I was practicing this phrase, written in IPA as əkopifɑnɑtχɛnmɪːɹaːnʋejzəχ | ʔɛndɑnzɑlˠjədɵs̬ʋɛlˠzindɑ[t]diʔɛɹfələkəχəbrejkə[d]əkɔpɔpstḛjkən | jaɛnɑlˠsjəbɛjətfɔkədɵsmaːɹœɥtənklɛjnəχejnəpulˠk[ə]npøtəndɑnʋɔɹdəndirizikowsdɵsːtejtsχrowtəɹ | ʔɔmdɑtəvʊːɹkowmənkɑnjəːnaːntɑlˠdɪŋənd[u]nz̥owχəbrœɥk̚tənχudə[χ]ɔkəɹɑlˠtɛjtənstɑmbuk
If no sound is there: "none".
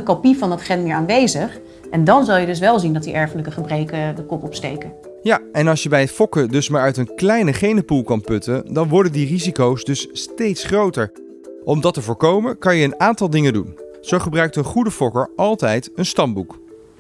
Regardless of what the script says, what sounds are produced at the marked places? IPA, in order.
t, d, ɑ, u, f

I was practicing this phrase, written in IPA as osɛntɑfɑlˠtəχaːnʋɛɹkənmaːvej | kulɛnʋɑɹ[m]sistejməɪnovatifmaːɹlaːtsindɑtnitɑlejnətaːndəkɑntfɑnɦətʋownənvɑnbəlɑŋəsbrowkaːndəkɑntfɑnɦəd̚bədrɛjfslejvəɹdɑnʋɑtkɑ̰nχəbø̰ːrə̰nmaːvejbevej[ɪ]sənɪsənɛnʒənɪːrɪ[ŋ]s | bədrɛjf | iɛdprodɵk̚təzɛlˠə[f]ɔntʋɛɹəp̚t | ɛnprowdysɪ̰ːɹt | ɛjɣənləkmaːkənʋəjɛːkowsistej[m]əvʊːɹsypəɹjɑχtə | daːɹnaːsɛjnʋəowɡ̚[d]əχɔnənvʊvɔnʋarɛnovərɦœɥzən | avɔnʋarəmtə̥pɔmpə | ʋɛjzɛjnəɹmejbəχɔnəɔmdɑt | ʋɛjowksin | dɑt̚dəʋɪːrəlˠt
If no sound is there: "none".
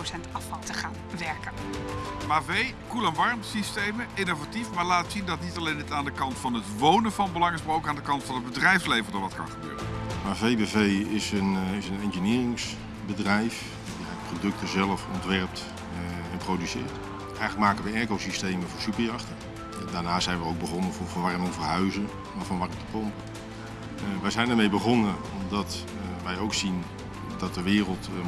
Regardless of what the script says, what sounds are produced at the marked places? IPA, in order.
m, ɪ, ŋ, f, m, b

